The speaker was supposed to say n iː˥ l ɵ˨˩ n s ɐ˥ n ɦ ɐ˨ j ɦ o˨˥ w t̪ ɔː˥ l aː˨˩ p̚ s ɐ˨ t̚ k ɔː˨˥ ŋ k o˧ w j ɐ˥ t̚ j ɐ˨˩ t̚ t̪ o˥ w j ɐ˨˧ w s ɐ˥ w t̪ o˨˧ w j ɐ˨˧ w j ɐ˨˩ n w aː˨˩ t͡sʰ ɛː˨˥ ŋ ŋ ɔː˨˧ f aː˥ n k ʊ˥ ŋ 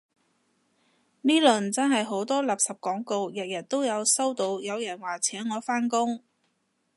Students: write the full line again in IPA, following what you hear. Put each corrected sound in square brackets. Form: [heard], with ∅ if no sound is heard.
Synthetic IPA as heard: n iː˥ l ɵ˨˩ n [t͡s] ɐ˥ n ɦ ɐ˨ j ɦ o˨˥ w t̪ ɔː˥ l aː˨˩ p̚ s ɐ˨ [p̚] k ɔː˨˥ ŋ k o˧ w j [ɐ˨] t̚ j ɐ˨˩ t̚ t̪ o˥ w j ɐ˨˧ w s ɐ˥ w t̪ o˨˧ w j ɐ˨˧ w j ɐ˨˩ n w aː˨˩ t͡sʰ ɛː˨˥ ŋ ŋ ɔː˨˧ f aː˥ n k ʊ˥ ŋ